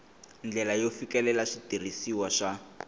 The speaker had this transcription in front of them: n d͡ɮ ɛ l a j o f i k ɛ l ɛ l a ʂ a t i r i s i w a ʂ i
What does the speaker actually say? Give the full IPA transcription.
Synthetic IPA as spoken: n d͡ɮ ɛ l a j o f i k ɛ l ɛ l a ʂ i t i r i s i w a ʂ a